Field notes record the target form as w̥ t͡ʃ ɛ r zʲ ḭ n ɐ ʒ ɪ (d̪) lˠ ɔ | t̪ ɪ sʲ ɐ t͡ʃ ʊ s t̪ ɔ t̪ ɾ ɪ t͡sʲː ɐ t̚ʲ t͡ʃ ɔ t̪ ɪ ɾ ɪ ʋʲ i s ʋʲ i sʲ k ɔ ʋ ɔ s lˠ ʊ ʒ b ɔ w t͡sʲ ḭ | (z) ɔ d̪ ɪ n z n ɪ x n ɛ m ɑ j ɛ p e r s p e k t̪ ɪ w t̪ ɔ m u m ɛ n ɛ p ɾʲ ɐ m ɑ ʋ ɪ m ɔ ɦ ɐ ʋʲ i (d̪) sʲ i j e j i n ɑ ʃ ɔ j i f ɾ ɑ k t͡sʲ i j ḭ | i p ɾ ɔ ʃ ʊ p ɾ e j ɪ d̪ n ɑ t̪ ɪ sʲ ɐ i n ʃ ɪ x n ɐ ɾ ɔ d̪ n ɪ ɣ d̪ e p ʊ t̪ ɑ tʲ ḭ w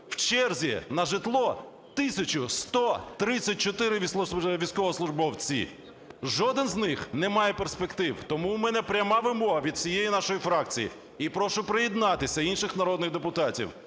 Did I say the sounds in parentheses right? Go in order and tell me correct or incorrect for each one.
incorrect: t̪, incorrect: ʒ, correct

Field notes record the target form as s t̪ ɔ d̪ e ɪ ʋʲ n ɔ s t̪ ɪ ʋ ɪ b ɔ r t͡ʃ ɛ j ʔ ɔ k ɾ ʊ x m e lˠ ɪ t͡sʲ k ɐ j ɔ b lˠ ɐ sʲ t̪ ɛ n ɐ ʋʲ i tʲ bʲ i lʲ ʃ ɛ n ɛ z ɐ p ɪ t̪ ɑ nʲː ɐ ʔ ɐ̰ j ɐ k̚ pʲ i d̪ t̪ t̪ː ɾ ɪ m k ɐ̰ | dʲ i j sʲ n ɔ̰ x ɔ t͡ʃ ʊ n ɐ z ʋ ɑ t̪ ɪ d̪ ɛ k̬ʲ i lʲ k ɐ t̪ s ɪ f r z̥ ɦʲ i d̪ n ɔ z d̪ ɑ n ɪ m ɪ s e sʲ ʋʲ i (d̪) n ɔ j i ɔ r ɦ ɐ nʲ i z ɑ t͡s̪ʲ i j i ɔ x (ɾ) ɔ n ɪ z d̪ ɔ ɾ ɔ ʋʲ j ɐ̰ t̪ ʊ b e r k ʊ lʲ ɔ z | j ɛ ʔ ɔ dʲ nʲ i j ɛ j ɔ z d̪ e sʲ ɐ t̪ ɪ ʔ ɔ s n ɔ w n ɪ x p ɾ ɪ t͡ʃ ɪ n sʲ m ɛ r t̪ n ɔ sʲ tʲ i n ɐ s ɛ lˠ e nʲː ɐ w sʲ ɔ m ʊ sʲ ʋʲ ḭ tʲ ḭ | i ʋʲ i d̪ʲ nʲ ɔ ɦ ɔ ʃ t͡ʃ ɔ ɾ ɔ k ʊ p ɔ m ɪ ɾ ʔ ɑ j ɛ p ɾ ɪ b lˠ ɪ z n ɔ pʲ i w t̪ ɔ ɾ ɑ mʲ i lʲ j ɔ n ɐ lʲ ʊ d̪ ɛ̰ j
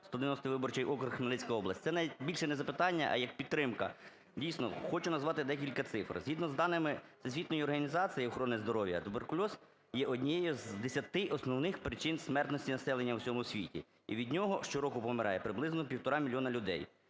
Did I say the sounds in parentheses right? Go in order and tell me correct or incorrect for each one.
incorrect: t̪, correct

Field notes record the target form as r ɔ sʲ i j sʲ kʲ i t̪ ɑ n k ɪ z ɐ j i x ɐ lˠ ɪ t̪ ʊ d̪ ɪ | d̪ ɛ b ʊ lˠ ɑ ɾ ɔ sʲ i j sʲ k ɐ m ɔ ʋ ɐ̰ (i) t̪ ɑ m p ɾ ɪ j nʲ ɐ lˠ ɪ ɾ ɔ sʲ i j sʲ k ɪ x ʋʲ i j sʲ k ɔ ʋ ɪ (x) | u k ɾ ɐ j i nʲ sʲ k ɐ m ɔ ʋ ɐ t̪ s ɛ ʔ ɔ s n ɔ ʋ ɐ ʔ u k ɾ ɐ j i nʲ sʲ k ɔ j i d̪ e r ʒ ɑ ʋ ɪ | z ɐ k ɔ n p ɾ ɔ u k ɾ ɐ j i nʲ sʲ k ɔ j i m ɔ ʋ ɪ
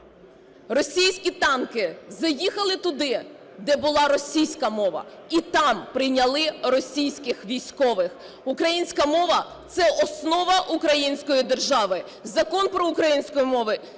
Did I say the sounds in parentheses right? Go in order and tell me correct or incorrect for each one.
correct, correct

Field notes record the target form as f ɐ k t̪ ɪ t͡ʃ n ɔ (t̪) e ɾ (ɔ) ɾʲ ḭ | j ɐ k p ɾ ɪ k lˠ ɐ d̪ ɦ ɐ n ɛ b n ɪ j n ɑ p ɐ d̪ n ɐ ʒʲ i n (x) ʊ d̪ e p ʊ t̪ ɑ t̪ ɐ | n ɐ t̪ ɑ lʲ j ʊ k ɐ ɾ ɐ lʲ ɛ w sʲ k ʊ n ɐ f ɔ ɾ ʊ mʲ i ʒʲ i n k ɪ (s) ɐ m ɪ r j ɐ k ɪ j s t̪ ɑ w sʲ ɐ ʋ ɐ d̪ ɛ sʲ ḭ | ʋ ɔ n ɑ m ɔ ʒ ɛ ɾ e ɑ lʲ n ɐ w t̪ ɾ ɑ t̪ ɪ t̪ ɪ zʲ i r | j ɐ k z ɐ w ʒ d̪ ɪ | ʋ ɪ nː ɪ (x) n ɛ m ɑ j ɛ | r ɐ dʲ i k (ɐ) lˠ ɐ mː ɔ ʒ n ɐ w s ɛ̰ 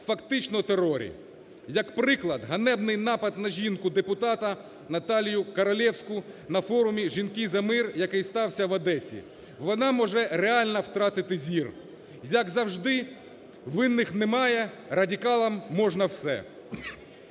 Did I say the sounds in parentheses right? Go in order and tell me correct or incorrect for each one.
correct, correct, incorrect: k, incorrect: z, correct, incorrect: ɑ

